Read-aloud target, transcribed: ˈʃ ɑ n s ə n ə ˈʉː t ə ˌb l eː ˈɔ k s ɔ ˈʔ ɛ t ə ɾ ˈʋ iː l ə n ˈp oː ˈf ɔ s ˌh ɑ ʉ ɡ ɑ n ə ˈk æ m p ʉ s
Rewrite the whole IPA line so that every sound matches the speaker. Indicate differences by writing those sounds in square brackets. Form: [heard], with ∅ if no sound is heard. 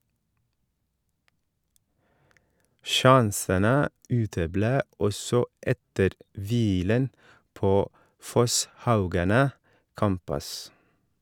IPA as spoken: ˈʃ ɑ n s ə n ə ˈʉː t ə ˌb l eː ˈɔ [∅] s ɔ ˈʔ ɛ t ə ɾ ˈʋ iː l ə n ˈp oː ˈf ɔ s ˌh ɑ ʉ ɡ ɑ n ə ˈk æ m p ʉ s